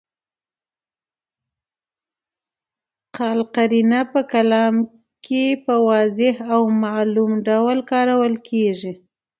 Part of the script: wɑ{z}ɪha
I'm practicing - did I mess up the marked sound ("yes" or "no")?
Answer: no